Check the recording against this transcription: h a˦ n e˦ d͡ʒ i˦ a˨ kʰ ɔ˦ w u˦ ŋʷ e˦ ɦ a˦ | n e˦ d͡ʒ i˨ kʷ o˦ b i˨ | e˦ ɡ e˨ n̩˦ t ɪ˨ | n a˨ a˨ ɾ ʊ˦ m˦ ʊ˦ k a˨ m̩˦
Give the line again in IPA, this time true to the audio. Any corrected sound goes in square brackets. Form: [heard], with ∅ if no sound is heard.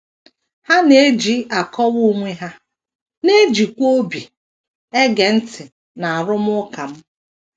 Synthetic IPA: h a˦ n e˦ d͡ʒ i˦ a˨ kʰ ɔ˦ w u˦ ŋʷ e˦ ɦ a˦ | n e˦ d͡ʒ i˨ kʷ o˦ b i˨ | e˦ ɡ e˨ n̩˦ t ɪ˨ | n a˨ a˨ ɾ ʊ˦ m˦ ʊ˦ k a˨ m̩˦

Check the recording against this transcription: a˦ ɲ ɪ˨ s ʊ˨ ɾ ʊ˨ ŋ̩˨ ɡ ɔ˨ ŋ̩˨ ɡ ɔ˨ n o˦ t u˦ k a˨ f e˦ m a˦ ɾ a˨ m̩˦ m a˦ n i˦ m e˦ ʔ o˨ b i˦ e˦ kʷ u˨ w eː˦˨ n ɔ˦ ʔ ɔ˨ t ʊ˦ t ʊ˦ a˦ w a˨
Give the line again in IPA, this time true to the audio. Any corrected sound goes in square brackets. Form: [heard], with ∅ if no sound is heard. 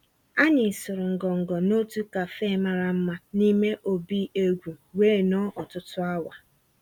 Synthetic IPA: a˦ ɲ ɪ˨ s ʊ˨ ɾ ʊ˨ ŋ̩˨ ɡ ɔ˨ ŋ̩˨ ɡ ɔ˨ n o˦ t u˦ k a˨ f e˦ m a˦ ɾ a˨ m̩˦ m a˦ n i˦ m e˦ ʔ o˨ b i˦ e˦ [ɡʷ] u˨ w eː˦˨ n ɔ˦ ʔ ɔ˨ t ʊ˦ t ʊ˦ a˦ w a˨

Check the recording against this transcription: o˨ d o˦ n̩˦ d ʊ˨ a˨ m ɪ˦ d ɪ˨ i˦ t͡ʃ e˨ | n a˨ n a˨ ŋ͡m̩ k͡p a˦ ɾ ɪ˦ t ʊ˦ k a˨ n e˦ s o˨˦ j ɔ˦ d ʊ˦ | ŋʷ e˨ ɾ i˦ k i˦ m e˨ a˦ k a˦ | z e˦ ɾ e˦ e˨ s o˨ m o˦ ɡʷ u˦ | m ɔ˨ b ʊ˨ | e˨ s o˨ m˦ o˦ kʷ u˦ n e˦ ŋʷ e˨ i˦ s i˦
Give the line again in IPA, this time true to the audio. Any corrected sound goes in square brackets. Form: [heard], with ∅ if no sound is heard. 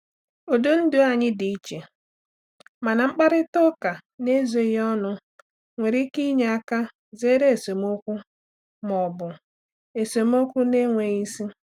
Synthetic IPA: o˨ d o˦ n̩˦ d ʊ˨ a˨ [ɲ] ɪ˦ d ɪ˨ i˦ t͡ʃ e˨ | [m] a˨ n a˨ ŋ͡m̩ k͡p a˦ ɾ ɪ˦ t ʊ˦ k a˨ n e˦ [z] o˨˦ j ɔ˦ [n] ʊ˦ | ŋʷ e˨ ɾ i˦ k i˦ [ɲ] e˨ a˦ k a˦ | z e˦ ɾ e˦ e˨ s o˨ m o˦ [kʷ] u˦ | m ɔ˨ b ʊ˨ | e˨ s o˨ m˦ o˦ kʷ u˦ n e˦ ŋʷ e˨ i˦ s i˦

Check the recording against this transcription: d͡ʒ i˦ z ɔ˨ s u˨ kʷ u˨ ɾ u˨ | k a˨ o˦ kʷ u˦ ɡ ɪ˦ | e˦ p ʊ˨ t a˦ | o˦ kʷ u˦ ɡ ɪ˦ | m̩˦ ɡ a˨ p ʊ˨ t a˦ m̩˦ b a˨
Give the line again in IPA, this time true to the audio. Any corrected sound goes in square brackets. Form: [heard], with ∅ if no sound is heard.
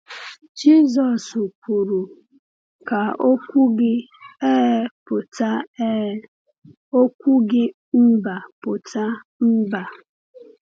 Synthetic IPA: d͡ʒ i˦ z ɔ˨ s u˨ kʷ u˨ ɾ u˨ | k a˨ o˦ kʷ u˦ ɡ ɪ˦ | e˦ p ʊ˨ t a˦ | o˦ kʷ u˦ ɡ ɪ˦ | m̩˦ [b] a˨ p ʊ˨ t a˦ m̩˦ b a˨

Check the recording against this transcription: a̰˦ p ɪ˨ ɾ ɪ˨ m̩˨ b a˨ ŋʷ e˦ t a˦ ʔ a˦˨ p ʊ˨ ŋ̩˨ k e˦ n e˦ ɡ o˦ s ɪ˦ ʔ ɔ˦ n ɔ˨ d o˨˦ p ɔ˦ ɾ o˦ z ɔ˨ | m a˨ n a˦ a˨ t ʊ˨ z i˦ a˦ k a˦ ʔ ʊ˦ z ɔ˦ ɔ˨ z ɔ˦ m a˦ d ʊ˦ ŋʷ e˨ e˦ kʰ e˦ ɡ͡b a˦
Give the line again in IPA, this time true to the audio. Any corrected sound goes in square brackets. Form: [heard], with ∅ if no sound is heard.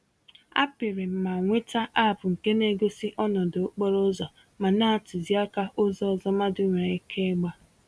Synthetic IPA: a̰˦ p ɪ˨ ɾ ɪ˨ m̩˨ [m] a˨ ŋʷ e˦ t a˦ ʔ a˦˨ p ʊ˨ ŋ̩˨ k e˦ n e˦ ɡ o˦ s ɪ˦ ʔ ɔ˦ n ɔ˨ d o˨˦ [k͡p] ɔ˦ ɾ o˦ z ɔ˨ | m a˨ n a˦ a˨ t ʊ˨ z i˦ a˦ k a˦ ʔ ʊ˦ z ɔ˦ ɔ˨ z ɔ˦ m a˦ d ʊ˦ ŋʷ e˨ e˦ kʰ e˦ ɡ͡b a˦

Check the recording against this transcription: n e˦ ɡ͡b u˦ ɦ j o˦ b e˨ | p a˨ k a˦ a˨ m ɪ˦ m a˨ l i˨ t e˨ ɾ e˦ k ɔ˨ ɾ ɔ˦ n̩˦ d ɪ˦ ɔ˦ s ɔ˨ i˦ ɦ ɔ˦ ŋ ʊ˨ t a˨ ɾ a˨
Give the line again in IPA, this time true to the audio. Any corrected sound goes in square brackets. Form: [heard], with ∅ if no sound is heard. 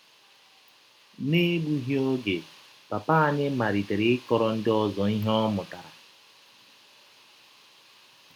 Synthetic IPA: n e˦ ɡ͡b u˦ ɦ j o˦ [ɡ] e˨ | p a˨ [p] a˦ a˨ [ɲ] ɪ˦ m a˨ [ɾ] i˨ t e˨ ɾ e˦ k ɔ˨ ɾ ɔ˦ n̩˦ d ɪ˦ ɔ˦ [z] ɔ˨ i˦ ɦ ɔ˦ [m] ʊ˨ t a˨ ɾ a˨

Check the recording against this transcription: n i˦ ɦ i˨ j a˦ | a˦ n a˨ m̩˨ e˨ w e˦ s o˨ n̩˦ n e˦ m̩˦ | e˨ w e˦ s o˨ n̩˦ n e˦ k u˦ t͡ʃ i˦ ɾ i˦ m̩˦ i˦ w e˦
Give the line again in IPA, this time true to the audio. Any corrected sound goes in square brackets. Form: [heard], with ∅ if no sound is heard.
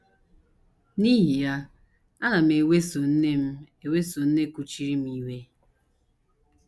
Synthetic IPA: n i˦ ɦ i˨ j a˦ | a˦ n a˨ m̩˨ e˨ w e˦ s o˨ n̩˦ n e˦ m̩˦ | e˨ w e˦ s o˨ n̩˦ n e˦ k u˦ t͡ʃ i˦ ɾ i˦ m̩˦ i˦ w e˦

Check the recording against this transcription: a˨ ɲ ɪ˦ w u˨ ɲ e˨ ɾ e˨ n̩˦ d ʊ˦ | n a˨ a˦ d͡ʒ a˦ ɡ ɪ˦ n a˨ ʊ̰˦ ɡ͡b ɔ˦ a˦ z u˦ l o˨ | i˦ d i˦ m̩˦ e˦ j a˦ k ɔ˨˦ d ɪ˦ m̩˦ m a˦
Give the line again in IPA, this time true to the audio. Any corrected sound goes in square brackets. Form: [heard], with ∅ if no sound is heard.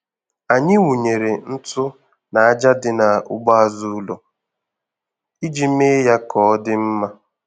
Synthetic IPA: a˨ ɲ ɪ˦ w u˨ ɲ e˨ ɾ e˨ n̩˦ [t] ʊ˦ | n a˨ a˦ d͡ʒ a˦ [d] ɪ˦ n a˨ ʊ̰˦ ɡ͡b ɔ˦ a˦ z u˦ l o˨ | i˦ [d͡ʒ] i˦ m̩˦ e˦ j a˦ k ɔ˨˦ d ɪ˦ m̩˦ m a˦

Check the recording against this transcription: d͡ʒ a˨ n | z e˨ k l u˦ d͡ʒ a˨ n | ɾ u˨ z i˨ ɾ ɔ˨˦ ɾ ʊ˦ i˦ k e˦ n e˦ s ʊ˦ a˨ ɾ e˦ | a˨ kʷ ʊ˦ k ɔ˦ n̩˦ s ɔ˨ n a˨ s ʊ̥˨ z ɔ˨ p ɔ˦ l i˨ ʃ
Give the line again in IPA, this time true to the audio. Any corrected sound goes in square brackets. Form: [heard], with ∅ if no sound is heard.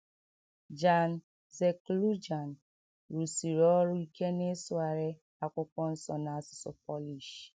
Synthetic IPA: d͡ʒ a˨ n | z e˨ k l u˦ d͡ʒ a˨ n | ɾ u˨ [s] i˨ ɾ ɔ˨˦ ɾ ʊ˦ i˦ k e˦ n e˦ s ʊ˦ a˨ ɾ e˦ | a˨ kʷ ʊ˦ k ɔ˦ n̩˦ s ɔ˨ n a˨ s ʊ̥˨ [s] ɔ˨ p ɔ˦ l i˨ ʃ

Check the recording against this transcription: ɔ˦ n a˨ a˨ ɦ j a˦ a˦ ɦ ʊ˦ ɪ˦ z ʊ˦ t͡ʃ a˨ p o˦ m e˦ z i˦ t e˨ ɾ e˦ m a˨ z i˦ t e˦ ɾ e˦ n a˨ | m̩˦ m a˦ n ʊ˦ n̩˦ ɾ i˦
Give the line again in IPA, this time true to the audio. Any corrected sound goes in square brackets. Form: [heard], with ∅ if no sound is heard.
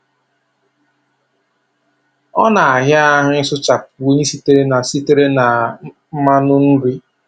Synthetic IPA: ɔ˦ n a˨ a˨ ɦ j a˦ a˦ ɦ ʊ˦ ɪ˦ [s] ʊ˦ t͡ʃ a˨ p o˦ [ɲ] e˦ [s] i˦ t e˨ ɾ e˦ [n] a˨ [s] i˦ t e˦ ɾ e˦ n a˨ | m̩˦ m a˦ n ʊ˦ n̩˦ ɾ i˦

